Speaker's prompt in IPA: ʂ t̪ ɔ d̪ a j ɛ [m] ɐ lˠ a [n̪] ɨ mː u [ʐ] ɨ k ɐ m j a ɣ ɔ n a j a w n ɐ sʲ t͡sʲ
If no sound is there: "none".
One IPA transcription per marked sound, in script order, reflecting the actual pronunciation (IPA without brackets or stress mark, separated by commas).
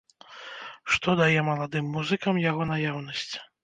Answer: m, d̪, z